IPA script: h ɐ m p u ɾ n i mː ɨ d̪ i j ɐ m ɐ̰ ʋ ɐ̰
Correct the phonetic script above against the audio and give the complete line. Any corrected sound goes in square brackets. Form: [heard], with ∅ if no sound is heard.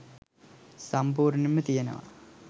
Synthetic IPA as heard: [s] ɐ m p [uː] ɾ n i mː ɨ [t̪] i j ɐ [n] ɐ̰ ʋ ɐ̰

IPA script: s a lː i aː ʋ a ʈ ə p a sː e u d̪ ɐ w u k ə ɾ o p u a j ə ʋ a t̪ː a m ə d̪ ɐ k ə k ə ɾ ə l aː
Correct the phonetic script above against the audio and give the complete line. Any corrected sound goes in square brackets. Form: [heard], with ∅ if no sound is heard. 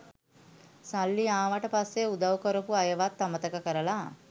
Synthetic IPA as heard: s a lː i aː ʋ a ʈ ə p a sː e u d̪ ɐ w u k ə ɾ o p u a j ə ʋ a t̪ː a m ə [t̪] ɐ k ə k ə ɾ ə l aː

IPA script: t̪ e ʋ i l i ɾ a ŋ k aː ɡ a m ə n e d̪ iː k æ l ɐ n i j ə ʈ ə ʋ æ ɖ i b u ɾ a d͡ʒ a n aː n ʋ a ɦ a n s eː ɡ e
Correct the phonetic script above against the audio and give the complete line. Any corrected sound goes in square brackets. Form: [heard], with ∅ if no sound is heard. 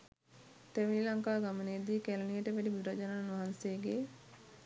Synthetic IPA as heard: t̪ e ʋ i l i [l] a ŋ k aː ɡ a m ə n e d̪ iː k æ l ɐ n i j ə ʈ ə ʋ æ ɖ i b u ɾ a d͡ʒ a n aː n ʋ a ɦ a n s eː ɡ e

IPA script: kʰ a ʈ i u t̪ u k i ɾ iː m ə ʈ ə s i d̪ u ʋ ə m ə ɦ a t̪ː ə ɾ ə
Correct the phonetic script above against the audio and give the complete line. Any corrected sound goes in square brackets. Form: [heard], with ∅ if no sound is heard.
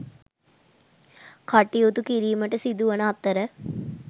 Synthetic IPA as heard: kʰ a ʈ i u t̪ u k i ɾ iː m ə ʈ ə s i d̪ u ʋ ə [n] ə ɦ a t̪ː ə ɾ ə

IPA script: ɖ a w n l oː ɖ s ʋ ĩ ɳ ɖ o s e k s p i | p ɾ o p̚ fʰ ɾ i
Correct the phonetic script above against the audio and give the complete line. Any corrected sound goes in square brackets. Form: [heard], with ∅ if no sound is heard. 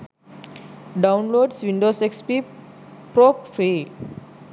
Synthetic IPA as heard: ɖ a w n l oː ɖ s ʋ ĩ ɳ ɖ o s e k s p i | p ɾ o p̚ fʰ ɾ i

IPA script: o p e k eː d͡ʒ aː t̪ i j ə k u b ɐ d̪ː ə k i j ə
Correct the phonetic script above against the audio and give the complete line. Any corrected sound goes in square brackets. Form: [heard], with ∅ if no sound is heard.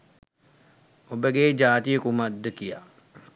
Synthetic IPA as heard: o [b] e [ɡ] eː d͡ʒ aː t̪ i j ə k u [m] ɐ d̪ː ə k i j [a]

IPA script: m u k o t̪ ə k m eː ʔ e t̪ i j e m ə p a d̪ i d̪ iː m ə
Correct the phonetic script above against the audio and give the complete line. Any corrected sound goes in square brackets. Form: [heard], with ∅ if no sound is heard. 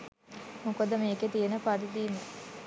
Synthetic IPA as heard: m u k o [d̪] ə [∅] m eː [k] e t̪ i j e [n] ə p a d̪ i d̪ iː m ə

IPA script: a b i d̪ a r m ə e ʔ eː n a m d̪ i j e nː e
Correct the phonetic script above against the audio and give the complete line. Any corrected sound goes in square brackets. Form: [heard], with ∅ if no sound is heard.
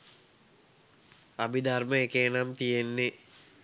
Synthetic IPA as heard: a b i d̪ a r m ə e [k] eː n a m [t̪] i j e nː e

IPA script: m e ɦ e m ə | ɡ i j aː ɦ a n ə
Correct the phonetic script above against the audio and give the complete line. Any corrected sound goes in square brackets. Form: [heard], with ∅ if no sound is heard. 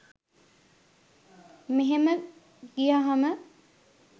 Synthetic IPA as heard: m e ɦ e m ə | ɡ i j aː ɦ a [m] ə

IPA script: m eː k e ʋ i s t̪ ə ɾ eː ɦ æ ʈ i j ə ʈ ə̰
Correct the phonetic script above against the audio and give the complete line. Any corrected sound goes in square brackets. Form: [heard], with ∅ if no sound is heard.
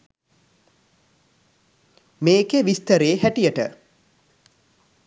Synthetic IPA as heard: m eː k e ʋ i s t̪ ə ɾ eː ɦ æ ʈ i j ə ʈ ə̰

